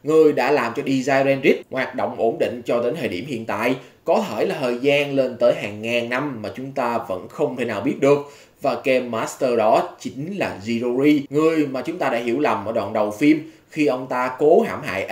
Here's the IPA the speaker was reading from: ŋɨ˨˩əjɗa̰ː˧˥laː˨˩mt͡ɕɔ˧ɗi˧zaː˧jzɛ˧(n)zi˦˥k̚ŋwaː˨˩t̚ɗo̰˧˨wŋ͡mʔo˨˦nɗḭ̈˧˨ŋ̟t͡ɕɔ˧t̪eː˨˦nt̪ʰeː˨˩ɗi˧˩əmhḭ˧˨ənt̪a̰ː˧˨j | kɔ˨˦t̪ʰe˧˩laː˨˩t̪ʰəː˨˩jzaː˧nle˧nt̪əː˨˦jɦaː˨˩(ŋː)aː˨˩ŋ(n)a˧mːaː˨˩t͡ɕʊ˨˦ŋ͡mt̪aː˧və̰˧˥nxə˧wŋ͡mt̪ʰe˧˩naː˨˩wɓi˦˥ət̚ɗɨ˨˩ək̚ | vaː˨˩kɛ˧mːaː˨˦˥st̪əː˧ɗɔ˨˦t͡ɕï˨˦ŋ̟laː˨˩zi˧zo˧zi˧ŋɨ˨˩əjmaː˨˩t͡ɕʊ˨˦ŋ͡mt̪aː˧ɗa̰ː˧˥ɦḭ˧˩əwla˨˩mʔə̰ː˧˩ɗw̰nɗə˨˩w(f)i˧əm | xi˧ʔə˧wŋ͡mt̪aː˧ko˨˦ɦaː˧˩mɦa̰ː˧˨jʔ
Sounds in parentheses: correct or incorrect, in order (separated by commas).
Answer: correct, correct, correct, correct